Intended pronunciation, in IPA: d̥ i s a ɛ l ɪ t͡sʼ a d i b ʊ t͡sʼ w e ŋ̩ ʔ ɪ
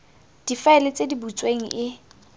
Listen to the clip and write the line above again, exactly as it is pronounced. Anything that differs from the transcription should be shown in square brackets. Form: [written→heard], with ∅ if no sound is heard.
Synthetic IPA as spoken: d̥ i [s→f] a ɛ l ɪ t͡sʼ [a→e] d i b [ʊ→u] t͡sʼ w e ŋ̩ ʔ ɪ